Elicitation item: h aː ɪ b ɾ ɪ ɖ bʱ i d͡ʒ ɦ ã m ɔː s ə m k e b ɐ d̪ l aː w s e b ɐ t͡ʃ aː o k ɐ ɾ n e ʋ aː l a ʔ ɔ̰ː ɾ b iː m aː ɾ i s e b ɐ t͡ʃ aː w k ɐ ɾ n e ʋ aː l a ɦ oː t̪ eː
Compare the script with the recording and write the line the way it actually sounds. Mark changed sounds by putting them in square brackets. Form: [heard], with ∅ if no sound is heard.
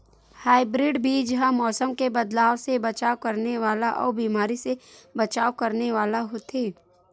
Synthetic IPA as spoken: h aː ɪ b ɾ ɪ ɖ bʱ i d͡ʒ ɦ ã m ɔː s ə m k e b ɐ d̪ l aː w s e b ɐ t͡ʃ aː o k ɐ ɾ n e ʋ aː l a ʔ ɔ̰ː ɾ b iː m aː ɾ i s e b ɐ t͡ʃ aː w k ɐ ɾ n e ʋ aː l a ɦ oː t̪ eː

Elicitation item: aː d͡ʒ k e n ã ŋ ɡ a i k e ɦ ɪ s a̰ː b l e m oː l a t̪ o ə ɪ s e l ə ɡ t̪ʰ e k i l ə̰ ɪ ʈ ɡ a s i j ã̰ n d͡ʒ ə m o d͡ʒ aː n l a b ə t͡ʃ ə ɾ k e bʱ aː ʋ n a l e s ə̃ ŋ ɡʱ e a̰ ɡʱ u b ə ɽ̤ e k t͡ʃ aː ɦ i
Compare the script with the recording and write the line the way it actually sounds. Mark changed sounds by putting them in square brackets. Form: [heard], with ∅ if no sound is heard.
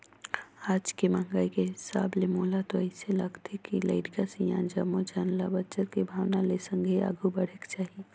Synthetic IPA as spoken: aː d͡ʒ k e [m] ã ŋ ɡ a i k e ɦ ɪ s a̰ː b l e m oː l a t̪ o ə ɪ s e l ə ɡ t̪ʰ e k i l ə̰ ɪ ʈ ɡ a s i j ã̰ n d͡ʒ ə m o d͡ʒ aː n l a b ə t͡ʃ ə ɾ k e bʱ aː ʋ n a l e s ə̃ ŋ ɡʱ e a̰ ɡʱ u b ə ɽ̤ e k t͡ʃ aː ɦ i

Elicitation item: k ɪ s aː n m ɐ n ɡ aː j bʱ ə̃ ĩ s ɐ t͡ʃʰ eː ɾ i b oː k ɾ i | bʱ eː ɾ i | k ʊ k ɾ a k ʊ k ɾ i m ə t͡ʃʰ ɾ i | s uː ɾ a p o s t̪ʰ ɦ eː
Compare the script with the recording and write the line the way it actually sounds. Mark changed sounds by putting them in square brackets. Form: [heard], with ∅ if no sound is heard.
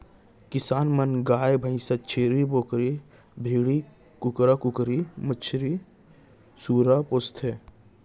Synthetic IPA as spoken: k ɪ s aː n m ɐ n ɡ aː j bʱ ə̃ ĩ s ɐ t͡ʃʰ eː ɾ i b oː k ɾ i | bʱ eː [ɽ] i | k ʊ k ɾ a k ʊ k ɾ i m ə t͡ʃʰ ɾ i | s uː ɾ a p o s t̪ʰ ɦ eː

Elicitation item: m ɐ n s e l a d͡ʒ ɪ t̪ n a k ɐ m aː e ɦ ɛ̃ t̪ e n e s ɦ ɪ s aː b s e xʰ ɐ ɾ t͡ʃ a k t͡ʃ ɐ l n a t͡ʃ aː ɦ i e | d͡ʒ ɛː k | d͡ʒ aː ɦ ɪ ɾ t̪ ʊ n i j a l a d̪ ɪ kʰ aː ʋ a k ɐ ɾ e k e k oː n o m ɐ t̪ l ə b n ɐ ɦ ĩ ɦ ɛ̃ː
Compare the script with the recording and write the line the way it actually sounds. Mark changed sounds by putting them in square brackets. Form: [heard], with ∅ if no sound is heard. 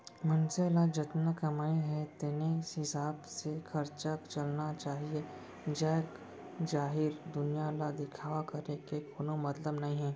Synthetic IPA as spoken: m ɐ n s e l a d͡ʒ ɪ t̪ n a k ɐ m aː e ɦ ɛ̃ t̪ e n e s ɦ ɪ s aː b s e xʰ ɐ ɾ t͡ʃ a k t͡ʃ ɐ l n a t͡ʃ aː ɦ i e | d͡ʒ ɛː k | d͡ʒ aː ɦ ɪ ɾ [d̪] ʊ n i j a l a d̪ ɪ kʰ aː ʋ a k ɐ ɾ e k e k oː n o m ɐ t̪ l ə b n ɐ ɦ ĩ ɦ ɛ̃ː

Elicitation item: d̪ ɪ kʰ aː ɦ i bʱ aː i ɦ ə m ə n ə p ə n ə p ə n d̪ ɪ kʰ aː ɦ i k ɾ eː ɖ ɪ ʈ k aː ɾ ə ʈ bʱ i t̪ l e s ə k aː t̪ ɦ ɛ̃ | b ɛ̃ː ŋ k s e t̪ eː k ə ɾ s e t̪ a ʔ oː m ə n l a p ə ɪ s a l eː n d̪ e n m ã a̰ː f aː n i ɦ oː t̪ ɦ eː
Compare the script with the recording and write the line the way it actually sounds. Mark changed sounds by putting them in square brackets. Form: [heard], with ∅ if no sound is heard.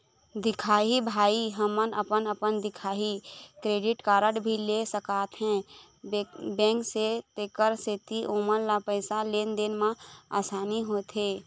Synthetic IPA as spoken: d̪ ɪ kʰ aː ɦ i bʱ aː i ɦ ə m ə n ə p ə n ə p ə n d̪ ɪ kʰ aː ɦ i k ɾ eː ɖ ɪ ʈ k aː ɾ ə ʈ bʱ i [∅] l e s ə k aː t̪ ɦ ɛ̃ | b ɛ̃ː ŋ k s e t̪ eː k ə ɾ s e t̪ [i] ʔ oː m ə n l a p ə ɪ s a l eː n d̪ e n m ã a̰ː [s] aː n i ɦ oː t̪ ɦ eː

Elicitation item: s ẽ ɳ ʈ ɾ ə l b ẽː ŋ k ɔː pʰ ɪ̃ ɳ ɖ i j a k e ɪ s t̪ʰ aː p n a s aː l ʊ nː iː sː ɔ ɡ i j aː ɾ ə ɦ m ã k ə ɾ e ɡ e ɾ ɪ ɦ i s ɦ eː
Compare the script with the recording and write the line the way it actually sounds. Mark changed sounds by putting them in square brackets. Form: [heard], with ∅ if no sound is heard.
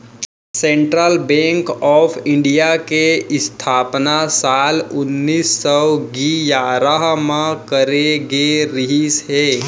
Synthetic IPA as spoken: s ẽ ɳ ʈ ɾ ə l b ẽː ŋ k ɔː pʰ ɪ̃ ɳ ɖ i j a k e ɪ s t̪ʰ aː p n a s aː l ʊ nː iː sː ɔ ɡ i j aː ɾ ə ɦ m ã k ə ɾ e ɡ e ɾ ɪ ɦ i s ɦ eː

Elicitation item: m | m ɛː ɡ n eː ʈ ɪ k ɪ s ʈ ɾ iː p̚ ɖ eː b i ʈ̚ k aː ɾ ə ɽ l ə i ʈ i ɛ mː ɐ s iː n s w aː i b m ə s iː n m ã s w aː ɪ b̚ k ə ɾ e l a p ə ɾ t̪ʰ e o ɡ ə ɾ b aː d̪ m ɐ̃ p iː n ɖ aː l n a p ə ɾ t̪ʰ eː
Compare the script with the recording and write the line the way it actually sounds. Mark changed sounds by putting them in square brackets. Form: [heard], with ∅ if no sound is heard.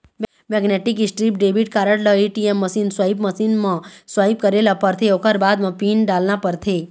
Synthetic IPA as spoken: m | m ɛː ɡ n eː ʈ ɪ k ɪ s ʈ ɾ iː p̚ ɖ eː b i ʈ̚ k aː ɾ ə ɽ l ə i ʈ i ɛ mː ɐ s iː n s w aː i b m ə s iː n m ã s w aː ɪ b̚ k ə ɾ e l a p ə ɾ t̪ʰ e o [k] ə ɾ b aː d̪ m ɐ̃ p iː n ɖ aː l n a p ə ɾ t̪ʰ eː

